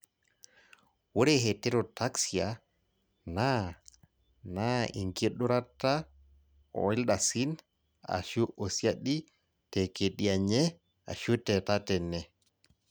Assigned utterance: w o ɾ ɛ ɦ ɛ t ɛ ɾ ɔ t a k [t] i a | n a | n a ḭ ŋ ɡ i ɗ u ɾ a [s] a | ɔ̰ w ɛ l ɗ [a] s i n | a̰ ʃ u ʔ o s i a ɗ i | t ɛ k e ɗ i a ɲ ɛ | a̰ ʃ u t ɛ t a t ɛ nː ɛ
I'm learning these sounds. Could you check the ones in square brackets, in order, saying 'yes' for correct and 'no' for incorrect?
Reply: no, no, yes

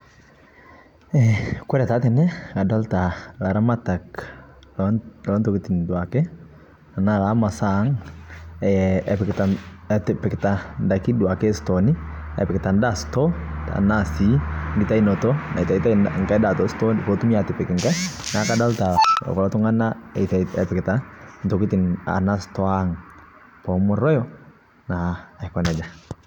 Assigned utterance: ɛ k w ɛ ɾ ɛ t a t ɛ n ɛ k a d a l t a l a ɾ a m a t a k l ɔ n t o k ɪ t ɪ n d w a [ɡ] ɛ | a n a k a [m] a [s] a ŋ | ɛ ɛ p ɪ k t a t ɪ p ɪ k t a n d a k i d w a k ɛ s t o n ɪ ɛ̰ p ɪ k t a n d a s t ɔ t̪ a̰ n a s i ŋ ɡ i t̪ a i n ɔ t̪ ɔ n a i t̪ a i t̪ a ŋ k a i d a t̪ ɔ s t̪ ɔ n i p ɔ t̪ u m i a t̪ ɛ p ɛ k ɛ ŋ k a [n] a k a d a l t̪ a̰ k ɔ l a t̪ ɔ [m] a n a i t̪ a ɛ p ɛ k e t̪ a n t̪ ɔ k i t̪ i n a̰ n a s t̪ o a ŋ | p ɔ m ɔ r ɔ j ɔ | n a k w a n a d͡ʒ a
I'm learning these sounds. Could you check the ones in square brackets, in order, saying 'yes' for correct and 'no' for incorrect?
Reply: no, yes, yes, yes, no

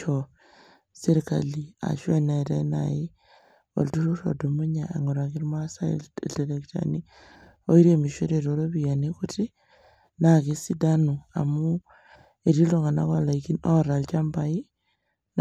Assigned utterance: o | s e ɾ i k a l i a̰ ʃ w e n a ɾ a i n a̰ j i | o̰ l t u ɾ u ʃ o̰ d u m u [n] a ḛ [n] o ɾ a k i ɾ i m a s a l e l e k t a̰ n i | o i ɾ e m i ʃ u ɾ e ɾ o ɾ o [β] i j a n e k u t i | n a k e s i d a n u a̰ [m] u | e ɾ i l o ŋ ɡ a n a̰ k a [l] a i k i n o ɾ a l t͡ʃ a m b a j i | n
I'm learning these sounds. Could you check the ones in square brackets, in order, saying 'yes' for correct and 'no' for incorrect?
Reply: no, no, yes, yes, yes

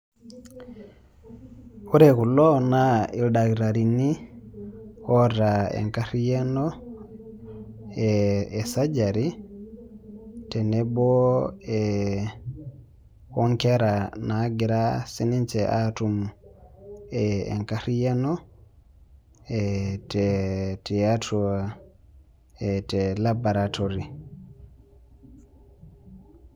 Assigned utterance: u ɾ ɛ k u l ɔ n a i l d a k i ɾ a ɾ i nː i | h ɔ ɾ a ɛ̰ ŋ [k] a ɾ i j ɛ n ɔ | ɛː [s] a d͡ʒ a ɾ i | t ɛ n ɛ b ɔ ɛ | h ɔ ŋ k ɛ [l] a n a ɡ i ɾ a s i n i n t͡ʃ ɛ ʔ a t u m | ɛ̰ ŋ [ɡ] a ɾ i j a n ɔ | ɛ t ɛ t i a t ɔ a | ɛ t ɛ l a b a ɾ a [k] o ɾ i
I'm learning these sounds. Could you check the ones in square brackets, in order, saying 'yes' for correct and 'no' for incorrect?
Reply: yes, yes, no, no, no

